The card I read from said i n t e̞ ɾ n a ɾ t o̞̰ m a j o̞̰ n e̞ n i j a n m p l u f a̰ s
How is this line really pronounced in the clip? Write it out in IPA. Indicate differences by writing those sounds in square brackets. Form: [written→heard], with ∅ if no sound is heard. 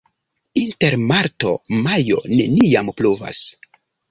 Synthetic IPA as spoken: i n t e̞ ɾ [n→m] a ɾ t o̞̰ m a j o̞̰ n e̞ n i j a [n→∅] m p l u [f→v] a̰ s